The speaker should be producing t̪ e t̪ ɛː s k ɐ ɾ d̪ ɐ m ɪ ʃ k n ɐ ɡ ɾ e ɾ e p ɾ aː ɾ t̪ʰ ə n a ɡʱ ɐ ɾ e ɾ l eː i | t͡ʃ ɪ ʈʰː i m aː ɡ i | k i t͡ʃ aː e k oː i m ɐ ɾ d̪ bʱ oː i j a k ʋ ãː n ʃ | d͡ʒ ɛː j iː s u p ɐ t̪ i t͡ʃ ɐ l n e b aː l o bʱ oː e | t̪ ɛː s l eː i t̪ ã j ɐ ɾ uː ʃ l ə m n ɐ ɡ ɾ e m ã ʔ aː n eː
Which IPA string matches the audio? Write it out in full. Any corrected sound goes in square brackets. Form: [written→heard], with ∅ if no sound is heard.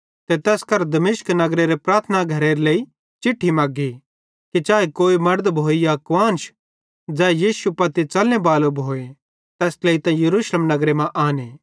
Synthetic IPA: t̪ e t̪ ɛː s k ɐ ɾ d̪ ɐ m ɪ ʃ k n ɐ ɡ ɾ e ɾ e p ɾ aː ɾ t̪ʰ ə n a ɡʱ ɐ ɾ e ɾ l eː i | t͡ʃ ɪ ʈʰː i m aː ɡ i | k i t͡ʃ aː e k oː i m ɐ ɾ d̪ bʱ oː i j a k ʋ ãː n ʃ | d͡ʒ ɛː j iː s u p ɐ t̪ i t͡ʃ ɐ l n e b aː l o bʱ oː e | t̪ ɛː s l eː i t̪ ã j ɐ ɾ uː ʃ l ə m n ɐ ɡ ɾ e m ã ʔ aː n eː